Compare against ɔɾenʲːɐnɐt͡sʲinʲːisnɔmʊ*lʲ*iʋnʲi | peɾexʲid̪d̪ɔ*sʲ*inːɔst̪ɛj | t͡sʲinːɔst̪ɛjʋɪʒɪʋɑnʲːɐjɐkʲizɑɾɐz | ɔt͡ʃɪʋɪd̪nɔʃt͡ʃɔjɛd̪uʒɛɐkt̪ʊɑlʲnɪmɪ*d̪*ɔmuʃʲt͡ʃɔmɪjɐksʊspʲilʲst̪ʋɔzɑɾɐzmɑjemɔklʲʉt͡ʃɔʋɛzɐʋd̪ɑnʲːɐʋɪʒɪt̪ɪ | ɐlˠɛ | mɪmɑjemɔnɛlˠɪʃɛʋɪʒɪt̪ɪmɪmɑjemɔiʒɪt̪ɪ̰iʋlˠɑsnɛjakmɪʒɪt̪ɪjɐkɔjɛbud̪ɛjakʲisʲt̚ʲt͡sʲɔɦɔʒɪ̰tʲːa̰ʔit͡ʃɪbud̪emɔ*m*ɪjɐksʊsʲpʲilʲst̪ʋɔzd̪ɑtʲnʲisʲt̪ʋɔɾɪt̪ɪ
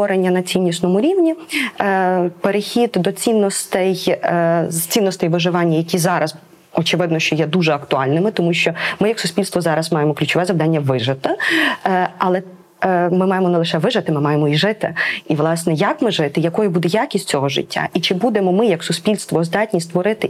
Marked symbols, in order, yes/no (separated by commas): no, no, no, yes